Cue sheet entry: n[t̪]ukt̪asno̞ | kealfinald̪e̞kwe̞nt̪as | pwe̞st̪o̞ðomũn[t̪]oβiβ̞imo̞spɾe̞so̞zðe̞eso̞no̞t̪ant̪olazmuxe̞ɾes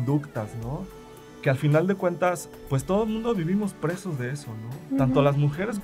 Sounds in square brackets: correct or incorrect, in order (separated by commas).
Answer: incorrect, incorrect